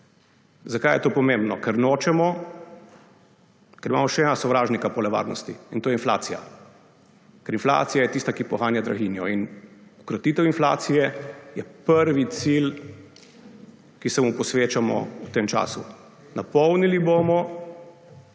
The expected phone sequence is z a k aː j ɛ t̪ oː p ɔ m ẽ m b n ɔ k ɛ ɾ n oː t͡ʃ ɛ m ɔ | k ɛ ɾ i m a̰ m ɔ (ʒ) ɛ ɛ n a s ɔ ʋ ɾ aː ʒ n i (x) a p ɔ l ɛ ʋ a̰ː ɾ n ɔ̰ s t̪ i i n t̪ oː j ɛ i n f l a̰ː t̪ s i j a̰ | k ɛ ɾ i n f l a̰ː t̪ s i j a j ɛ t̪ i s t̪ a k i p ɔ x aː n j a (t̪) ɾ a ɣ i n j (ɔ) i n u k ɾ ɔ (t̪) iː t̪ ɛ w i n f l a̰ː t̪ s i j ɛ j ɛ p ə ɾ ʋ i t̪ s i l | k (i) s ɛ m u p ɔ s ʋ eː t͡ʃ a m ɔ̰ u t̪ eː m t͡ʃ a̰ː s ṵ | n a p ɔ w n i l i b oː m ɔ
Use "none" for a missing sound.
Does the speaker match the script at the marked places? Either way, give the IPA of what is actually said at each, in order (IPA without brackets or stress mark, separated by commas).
ʃ, k, d̪, ɔ, t̪, i